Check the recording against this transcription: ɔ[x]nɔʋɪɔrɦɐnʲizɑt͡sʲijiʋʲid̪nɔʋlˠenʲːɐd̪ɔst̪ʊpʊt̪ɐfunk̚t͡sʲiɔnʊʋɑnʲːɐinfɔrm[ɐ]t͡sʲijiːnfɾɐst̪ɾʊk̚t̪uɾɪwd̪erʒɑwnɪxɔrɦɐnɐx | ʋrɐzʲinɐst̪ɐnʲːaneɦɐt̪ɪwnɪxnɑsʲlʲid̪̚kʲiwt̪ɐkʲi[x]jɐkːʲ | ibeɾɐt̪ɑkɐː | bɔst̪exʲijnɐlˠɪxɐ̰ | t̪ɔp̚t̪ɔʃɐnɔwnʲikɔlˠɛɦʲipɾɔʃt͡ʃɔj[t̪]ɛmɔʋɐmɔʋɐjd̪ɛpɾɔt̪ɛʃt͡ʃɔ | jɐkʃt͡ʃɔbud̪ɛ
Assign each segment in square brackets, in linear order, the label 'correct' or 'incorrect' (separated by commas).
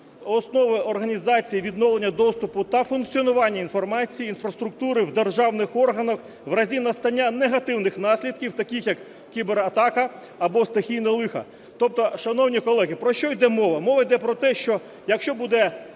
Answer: incorrect, incorrect, correct, incorrect